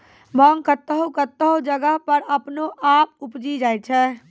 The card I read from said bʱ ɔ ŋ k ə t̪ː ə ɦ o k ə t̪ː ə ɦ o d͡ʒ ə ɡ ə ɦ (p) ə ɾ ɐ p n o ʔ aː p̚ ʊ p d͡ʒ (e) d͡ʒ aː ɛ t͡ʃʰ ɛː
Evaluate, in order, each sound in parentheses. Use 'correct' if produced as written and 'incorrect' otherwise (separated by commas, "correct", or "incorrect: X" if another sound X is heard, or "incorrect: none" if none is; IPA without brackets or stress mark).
correct, incorrect: i